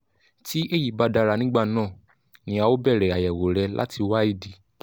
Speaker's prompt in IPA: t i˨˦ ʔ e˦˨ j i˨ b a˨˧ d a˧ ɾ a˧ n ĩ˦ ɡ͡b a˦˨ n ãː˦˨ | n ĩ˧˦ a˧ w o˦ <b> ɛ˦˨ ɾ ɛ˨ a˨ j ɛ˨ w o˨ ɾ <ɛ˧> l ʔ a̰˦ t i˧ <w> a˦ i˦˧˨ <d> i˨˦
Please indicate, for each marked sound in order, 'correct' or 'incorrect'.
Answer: correct, correct, correct, correct

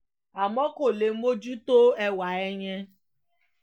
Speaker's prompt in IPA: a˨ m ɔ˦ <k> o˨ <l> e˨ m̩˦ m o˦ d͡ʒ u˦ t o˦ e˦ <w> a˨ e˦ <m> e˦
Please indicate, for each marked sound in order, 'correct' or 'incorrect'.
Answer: correct, correct, correct, incorrect: ɲ

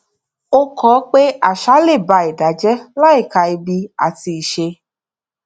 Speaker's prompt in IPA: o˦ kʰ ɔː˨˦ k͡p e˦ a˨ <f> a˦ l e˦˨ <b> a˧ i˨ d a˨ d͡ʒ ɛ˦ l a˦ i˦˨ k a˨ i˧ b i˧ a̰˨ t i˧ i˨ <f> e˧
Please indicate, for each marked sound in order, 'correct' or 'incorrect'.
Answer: incorrect: ʃ, correct, incorrect: ʃ

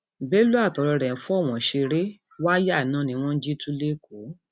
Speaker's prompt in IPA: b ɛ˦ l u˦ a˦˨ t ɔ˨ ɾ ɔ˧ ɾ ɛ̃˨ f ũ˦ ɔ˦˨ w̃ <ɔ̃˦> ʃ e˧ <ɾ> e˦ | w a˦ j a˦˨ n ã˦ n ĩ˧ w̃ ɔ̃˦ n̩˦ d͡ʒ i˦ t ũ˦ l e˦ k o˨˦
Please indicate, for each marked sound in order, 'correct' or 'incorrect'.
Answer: incorrect: ɔ̃˨, correct

